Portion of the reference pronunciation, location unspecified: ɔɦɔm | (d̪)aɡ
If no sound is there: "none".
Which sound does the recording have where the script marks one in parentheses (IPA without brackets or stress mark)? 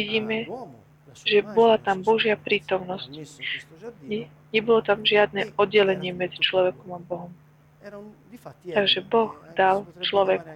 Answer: t̪